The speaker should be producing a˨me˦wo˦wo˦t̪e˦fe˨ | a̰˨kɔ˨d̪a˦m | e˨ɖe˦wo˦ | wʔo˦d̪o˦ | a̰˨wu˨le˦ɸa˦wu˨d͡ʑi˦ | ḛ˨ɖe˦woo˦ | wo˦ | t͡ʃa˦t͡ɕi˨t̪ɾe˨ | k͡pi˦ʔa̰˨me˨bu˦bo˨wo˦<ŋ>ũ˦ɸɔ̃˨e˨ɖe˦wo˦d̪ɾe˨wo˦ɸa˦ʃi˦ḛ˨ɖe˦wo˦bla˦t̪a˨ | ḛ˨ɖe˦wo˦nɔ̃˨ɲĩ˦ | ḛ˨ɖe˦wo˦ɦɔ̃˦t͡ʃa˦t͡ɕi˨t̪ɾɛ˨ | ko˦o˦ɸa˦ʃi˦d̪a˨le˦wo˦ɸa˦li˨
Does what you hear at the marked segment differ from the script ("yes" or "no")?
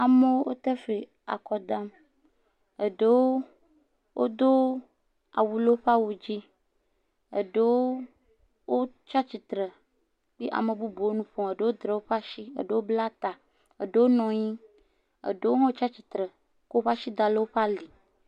yes